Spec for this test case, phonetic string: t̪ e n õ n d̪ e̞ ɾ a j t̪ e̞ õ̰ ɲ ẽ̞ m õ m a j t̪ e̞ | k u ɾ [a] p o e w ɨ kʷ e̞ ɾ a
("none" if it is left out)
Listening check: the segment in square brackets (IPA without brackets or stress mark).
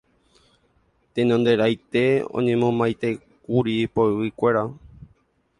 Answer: i